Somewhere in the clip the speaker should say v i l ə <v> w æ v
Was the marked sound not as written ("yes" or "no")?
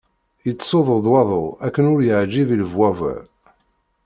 no